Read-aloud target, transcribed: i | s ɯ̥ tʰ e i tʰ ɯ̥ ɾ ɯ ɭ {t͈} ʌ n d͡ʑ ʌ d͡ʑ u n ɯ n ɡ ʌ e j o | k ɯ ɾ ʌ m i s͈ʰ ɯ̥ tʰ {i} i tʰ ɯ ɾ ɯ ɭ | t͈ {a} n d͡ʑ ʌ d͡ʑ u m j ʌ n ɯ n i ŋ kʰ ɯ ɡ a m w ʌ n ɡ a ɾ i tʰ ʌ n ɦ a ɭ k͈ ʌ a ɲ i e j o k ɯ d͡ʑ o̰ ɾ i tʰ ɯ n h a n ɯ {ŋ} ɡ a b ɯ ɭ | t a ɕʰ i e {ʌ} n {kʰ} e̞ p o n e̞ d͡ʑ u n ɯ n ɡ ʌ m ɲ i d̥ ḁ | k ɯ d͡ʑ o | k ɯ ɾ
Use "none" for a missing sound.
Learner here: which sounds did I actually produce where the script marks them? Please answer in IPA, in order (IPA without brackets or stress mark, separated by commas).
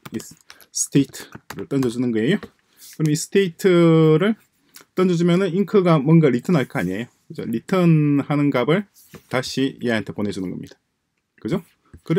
t͈, e, ʌ, n, a, tʰ